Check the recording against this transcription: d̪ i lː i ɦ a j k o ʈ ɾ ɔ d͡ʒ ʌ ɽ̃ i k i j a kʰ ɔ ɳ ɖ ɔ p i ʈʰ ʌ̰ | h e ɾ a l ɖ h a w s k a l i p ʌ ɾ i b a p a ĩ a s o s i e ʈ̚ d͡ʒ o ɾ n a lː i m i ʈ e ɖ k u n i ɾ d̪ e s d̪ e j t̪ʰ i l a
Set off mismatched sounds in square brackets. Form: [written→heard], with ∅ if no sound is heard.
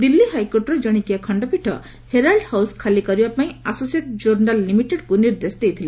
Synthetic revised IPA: d̪ i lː i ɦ a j k o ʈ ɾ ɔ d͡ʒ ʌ ɽ̃ i k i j a kʰ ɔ ɳ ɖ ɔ p i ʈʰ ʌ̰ | h e ɾ a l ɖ h a w s [k→kʰ] a l i [p→k] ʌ ɾ i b a p a ĩ a s o s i e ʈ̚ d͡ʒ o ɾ n a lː i m i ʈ e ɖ k u n i ɾ d̪ e s d̪ e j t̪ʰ i l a